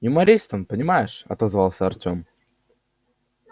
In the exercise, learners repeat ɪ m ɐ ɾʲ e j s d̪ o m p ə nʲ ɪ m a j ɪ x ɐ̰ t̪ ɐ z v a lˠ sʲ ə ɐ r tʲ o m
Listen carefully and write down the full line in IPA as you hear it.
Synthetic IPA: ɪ m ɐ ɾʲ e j s t̪ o n p ə nʲ ɪ m a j ɪ ʂ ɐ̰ t̪ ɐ z v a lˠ sʲ ə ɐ r tʲ o m